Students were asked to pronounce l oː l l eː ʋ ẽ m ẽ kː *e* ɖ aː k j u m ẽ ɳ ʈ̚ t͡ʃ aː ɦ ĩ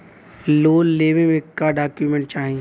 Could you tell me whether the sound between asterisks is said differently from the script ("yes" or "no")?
yes